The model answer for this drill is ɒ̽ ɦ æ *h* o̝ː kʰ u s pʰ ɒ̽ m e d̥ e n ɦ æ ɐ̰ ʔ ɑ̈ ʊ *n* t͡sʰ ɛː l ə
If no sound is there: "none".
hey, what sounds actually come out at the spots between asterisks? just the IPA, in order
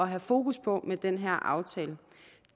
f, none

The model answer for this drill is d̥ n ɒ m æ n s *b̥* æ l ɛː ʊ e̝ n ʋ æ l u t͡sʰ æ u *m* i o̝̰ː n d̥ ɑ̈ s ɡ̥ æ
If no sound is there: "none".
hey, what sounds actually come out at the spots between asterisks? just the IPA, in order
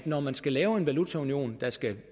ɡ̥, n

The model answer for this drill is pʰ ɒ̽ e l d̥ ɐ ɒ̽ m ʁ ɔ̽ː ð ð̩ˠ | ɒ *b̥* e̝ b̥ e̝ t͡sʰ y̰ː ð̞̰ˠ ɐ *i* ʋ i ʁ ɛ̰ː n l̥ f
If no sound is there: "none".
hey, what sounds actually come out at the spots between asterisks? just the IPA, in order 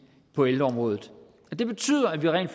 d̥, æ

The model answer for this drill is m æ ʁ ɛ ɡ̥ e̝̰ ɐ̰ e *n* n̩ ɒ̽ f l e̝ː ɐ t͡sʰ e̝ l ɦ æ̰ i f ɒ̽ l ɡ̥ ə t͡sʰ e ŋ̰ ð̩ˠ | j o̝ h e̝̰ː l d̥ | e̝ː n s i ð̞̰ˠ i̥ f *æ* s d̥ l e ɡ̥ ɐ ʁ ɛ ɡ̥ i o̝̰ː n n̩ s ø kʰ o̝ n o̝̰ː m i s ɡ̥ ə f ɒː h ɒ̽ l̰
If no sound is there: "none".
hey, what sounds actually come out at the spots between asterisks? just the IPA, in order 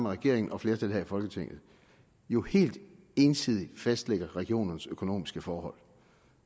ŋ, æ

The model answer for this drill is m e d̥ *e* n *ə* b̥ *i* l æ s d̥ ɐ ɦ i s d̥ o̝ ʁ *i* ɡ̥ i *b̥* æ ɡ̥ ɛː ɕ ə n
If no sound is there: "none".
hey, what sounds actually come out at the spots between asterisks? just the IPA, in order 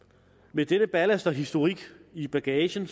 e, ə, æ, i, b̥

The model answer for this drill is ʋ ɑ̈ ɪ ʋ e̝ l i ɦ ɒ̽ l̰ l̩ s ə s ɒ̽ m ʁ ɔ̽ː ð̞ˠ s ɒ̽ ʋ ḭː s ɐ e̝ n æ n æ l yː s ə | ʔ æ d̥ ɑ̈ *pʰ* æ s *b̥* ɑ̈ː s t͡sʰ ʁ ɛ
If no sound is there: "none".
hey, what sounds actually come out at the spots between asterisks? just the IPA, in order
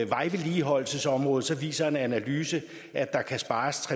kʰ, b̥

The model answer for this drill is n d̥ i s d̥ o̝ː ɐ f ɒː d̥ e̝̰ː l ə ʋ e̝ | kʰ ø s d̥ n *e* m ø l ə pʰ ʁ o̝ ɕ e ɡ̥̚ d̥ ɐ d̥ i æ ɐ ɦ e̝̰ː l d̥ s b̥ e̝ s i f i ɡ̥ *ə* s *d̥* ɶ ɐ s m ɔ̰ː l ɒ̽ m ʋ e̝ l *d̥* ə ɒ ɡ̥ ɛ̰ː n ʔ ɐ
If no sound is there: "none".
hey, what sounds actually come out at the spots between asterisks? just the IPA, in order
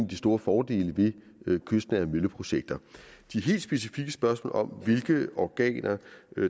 æ, ə, b̥, ɡ̥

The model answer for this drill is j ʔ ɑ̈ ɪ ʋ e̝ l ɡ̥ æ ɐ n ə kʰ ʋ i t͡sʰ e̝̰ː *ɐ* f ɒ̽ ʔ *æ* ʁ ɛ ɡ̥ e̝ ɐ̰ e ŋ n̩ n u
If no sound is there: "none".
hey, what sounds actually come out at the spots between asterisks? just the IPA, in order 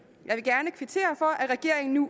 ɐ, æ

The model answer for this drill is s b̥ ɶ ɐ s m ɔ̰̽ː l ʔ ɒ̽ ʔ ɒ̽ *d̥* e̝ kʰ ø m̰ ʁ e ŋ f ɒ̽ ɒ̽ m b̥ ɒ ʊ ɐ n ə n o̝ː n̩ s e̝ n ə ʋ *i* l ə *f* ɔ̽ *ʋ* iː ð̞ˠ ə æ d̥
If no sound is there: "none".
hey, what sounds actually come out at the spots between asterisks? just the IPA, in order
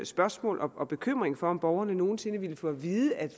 b̥, i, f, ʋ

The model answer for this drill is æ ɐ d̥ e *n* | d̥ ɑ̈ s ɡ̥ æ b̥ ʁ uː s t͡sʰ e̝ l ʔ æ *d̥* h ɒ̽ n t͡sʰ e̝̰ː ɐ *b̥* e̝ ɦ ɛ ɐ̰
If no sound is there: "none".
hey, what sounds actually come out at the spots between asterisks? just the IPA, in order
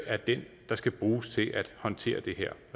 n, d̥, d̥

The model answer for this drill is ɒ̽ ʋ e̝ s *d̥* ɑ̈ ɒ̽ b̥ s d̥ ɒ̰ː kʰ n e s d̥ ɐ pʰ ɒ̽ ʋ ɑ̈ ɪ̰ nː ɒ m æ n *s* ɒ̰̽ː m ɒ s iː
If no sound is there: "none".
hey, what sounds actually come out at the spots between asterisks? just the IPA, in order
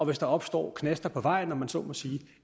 d̥, s

